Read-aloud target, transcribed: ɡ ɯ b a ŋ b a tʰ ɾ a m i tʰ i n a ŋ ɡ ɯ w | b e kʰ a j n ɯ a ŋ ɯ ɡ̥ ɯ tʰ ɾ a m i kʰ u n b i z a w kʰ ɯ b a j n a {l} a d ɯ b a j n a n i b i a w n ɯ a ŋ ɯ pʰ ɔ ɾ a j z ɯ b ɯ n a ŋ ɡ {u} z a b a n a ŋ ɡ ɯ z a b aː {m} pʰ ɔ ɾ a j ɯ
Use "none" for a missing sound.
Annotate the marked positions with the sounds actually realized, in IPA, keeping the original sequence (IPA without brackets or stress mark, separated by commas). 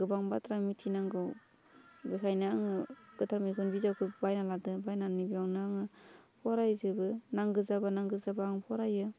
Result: l, ɯ, ŋ